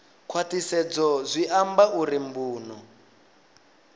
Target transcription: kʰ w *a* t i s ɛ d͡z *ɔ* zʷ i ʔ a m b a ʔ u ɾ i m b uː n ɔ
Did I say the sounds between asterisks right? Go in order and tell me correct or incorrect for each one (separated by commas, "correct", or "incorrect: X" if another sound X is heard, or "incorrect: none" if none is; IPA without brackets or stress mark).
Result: correct, correct